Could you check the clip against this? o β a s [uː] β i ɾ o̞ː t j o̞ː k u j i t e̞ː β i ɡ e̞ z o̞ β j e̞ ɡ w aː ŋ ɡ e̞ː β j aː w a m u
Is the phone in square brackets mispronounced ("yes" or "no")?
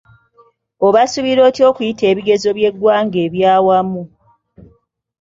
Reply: yes